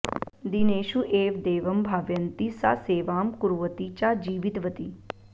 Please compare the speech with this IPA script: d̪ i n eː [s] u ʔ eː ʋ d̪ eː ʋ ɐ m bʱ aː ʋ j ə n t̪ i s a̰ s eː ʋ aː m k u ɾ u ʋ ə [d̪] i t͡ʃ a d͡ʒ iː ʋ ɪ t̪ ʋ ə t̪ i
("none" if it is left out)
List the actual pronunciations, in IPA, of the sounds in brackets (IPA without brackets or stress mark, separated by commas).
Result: ʃ, t̪